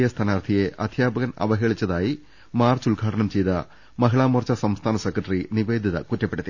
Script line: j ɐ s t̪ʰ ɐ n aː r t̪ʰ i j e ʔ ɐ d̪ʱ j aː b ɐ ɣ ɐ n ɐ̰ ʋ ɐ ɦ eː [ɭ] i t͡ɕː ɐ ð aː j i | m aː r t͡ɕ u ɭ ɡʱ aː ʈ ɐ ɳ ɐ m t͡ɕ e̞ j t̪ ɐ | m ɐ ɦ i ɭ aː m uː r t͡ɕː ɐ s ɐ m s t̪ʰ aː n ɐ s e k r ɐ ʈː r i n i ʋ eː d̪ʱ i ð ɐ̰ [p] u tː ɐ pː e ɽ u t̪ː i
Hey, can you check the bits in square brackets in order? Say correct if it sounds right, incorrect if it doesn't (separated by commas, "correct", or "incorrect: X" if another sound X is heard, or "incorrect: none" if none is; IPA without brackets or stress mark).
correct, incorrect: k